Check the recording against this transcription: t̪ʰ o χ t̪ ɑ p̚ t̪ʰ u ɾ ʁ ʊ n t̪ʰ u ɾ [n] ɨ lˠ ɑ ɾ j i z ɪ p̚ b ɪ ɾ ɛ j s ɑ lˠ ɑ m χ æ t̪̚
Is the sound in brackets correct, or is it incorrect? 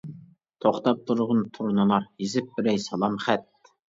correct